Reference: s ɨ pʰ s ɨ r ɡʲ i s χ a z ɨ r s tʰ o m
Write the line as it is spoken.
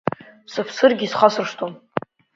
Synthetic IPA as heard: s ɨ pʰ s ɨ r ɡʲ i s χ a s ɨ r ʂ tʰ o m

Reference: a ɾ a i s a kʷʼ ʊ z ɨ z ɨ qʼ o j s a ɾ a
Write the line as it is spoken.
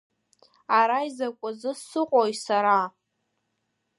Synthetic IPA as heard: a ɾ a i z a kʷʼ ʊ z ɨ s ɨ qʼ o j s a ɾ a

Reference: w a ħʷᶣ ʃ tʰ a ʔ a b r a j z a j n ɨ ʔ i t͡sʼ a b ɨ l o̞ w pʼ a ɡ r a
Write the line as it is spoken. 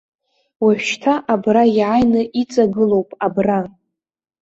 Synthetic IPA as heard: w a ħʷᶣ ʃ tʰ a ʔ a b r a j ʕ a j n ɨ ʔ i t͡sʼ a ɡ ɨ l o̞ w pʼ a b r a

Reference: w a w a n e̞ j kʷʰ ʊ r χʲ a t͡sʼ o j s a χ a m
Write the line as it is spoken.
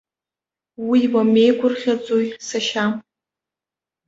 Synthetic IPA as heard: w i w a m e̞ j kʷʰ ʊ r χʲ a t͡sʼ o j s a ʃ a m

